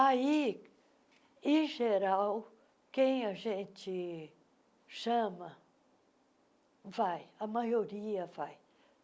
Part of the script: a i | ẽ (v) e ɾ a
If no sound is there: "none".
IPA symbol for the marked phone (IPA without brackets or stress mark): ʒ